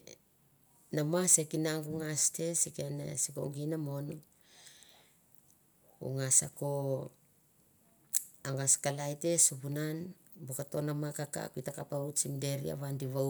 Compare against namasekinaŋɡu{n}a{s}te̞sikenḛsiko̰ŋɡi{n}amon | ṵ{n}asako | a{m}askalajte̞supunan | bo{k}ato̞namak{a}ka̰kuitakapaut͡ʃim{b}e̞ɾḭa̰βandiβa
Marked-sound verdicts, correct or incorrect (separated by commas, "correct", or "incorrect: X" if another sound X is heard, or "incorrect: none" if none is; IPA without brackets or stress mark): incorrect: ŋ, correct, correct, incorrect: ŋ, incorrect: ŋ, correct, correct, incorrect: d